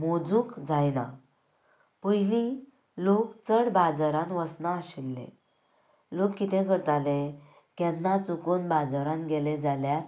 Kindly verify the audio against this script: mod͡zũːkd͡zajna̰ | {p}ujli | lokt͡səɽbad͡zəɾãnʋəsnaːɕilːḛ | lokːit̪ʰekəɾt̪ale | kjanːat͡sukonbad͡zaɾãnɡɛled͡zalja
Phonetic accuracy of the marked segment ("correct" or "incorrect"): correct